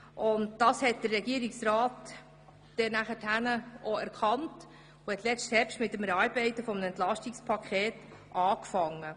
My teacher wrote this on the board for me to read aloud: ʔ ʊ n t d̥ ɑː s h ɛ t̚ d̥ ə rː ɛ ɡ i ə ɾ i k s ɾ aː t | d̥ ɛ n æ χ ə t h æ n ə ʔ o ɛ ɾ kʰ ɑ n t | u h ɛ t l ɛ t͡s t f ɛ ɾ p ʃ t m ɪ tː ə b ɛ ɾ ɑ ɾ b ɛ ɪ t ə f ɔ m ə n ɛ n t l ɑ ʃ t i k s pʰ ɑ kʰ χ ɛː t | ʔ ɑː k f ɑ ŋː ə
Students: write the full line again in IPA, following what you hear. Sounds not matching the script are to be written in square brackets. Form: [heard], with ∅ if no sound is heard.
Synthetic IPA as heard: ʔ ʊ n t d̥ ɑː s h ɛ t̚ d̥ ə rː ɛ ɡ i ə ɾ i k s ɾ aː t | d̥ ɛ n æ χ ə t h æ n ə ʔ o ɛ ɾ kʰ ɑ n t | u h ɛ t l ɛ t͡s t [h] ɛ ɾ p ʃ t m ɪ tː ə [m] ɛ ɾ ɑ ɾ b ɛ ɪ t ə f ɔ m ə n ɛ n t l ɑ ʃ t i k s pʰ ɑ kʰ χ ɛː t | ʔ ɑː k f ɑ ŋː ə